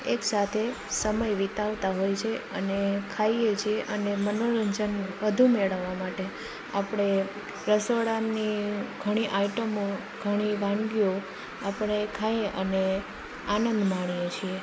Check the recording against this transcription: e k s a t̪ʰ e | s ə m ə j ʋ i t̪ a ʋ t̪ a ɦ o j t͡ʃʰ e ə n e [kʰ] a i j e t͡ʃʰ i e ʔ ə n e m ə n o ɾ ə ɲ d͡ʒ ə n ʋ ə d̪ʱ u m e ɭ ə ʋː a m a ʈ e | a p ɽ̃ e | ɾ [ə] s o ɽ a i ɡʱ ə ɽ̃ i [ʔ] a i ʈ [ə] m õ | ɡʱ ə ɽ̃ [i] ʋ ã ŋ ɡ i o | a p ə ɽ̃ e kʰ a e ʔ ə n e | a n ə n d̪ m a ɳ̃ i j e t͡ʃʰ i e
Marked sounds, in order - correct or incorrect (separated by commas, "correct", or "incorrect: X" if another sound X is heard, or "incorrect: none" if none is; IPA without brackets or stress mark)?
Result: correct, correct, correct, correct, correct